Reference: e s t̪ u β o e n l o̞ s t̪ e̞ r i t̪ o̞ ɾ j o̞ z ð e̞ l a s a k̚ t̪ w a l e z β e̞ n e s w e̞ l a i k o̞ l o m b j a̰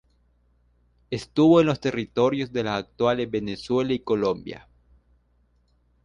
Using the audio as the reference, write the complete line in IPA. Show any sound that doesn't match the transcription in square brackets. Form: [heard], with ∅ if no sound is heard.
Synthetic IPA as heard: e s t̪ u β o e n l o̞ s t̪ e̞ r i t̪ o̞ ɾ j o̞ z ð e̞ l a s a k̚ t̪ w a l e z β e̞ n e s w e̞ l a i k o̞ l o m b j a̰